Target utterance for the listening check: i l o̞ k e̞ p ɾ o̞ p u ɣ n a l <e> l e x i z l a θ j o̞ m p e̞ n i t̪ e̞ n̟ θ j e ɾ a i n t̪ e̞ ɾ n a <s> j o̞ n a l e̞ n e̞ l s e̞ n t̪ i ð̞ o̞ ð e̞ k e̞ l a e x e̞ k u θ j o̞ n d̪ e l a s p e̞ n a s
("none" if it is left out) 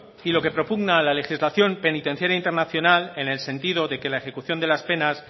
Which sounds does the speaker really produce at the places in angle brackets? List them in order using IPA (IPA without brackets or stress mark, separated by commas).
a, θ